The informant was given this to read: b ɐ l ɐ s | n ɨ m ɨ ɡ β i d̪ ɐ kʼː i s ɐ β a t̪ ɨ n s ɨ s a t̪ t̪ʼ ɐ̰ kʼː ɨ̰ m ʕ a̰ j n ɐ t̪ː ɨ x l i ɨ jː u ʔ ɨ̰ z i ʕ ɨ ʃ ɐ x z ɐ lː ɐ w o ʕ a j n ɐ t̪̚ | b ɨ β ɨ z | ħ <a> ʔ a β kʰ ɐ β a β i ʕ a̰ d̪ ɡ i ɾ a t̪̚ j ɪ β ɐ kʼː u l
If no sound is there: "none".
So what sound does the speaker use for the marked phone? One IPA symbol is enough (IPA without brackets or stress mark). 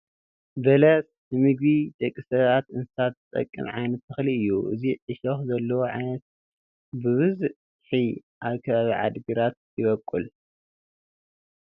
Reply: i